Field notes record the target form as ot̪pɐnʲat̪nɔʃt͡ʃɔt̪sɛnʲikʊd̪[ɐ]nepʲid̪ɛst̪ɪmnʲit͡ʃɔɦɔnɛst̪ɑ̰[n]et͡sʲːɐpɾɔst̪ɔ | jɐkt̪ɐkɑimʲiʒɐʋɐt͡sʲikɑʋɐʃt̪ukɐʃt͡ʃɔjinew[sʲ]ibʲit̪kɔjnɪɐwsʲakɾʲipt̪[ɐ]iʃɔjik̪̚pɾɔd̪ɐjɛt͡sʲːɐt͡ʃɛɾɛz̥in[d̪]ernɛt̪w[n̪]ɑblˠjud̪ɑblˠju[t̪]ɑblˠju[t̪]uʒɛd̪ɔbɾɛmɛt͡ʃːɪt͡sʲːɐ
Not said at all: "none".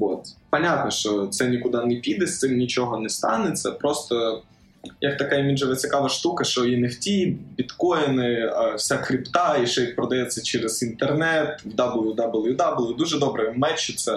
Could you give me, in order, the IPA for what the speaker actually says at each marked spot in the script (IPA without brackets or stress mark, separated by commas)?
ɑ, n, tʲ, ɑ, t̪, d̪, d̪, d̪